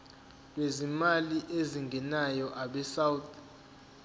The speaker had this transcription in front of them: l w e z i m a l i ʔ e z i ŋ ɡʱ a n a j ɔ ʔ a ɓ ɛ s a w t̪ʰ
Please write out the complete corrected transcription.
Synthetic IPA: l w e z i m a l i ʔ e z i ŋ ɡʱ ɛ n a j ɔ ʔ a ɓ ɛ s a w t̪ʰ